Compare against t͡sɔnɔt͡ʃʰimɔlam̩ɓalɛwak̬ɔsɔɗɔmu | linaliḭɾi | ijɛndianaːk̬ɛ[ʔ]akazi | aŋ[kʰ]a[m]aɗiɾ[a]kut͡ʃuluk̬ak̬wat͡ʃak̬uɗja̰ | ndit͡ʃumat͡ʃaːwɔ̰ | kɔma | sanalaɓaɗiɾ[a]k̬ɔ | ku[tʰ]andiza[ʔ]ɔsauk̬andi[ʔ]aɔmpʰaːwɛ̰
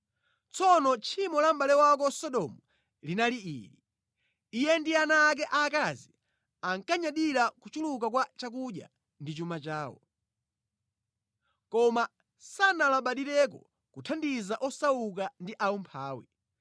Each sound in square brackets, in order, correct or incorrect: correct, incorrect: k, incorrect: ɲ, correct, incorrect: ɛ, correct, correct, correct

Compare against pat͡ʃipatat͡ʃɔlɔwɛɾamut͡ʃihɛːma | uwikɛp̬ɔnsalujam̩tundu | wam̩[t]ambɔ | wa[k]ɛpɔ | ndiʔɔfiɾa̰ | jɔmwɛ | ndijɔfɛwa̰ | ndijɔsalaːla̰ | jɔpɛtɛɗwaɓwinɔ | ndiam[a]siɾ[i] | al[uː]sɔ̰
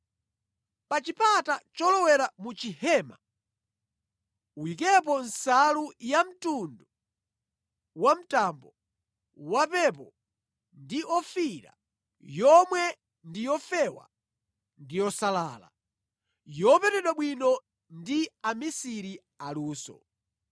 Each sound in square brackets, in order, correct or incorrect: correct, incorrect: p, incorrect: i, correct, correct

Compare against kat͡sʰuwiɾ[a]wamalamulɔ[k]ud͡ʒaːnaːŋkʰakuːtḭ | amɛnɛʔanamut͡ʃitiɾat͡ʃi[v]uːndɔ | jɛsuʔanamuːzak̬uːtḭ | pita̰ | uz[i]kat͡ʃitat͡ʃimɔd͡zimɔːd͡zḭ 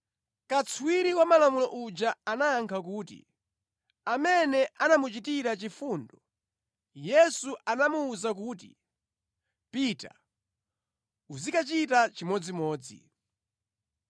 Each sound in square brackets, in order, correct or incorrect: incorrect: i, incorrect: ʔ, incorrect: f, correct

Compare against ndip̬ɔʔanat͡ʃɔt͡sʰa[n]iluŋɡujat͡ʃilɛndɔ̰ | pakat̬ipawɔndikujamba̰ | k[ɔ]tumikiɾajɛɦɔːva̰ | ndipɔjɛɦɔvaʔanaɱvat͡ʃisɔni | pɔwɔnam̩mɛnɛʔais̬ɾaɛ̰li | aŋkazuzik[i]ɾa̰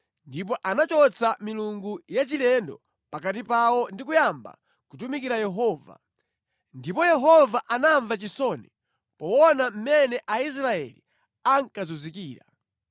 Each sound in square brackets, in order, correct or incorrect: incorrect: m, incorrect: u, incorrect: iː

